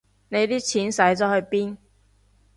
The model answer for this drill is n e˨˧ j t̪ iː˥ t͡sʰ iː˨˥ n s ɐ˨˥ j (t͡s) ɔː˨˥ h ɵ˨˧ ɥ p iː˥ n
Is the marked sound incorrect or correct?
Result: correct